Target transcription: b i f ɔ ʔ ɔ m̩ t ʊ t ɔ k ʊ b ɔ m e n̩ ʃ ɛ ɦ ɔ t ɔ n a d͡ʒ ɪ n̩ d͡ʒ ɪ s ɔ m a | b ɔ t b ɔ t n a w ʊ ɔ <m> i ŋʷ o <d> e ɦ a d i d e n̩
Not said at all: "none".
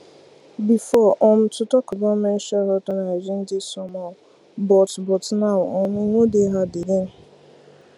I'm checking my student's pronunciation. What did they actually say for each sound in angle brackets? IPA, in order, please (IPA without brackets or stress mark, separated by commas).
m, d